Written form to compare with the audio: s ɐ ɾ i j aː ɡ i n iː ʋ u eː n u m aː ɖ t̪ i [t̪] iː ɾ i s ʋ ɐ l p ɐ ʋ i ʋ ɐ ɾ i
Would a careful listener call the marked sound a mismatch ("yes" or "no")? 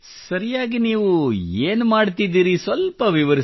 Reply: yes